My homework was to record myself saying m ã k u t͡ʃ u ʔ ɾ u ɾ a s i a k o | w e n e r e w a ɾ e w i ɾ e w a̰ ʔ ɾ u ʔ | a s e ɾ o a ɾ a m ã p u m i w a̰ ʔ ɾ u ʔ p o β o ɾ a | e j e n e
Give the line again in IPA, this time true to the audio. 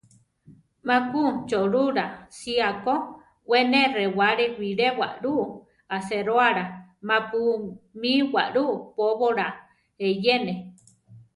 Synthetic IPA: m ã k u t͡ʃ o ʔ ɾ u ɾ a s i a k o | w e n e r e w a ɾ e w i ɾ e w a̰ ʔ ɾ u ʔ | a s e ɾ o a ɾ a m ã p u m i w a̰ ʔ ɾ u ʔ p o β o ɾ a | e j e n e